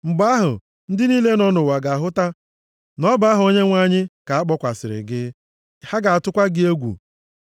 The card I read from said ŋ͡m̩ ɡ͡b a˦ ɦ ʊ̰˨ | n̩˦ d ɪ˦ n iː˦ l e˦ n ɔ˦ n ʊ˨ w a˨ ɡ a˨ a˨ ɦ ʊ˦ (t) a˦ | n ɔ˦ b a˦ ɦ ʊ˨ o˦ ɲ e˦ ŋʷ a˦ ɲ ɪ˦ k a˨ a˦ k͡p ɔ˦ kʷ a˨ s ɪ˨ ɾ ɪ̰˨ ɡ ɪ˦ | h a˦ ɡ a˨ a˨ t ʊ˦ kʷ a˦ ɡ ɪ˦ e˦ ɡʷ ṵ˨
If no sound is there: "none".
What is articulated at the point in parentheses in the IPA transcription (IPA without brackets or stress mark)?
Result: t